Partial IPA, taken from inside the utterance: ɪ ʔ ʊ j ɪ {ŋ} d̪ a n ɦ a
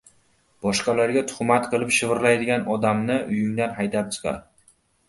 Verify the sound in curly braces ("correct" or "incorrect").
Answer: correct